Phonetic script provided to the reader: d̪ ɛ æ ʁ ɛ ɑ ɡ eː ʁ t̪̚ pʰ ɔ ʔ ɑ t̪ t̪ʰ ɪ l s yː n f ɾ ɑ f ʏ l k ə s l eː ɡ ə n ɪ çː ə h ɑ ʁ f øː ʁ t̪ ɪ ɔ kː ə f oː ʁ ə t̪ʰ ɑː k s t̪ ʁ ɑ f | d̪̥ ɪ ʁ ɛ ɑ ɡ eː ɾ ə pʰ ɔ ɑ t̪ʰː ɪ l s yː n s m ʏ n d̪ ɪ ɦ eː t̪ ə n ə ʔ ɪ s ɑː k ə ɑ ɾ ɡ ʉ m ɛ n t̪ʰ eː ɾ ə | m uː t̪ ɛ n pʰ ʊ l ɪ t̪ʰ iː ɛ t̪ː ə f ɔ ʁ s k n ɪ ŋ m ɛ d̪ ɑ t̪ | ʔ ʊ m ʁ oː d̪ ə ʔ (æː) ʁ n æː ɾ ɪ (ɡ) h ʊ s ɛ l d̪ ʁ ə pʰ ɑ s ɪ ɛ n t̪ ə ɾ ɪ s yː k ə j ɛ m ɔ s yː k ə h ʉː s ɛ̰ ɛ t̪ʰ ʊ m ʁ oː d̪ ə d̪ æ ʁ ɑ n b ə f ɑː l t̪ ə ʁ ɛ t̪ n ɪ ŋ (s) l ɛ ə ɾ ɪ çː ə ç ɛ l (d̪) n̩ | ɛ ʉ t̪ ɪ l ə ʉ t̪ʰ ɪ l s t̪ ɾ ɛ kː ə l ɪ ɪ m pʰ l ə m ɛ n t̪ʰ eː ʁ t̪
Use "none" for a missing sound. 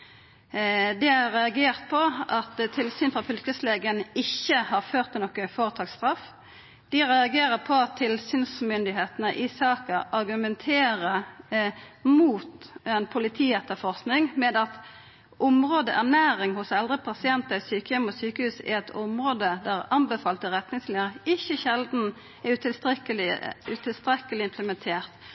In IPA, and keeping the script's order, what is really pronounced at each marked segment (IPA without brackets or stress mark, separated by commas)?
æ, ŋ, s, d̪